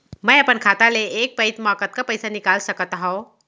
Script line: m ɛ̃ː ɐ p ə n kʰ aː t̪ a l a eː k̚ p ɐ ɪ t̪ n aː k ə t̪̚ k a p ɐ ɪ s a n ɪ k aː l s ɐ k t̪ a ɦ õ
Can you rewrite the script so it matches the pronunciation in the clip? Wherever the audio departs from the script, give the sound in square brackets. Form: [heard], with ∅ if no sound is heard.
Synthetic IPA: m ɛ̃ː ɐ p ə n kʰ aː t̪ a l [e] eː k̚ p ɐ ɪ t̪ [m] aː k ə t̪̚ k a p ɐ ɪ s a n ɪ k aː l s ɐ k t̪ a ɦ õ